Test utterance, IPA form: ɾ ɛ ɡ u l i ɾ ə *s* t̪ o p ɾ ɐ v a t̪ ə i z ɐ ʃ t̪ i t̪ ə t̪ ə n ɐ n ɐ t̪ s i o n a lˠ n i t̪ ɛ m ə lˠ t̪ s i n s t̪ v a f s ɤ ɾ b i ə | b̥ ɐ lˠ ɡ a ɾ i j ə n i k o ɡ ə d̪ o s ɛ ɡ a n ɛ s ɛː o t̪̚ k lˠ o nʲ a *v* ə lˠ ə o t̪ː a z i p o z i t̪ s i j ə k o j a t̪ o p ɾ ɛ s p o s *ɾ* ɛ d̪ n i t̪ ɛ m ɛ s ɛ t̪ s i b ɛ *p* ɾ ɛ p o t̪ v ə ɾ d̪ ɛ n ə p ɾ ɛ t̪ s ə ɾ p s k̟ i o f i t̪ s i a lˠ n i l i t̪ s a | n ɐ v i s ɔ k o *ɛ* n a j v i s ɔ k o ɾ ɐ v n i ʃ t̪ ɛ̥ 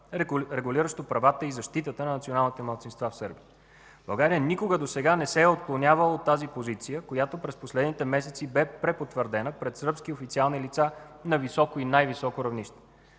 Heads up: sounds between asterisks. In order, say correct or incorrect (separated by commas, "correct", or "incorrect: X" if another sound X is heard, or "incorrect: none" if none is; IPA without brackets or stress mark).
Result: incorrect: ʃ, correct, incorrect: l, correct, incorrect: i